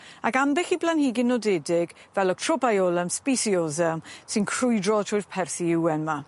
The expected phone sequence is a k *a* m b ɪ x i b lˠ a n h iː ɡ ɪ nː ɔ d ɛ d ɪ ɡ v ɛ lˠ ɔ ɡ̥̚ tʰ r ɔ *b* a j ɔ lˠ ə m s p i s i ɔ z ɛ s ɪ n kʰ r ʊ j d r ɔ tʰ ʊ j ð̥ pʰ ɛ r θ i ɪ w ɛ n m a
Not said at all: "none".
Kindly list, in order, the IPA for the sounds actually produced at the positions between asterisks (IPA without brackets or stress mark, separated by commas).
a, b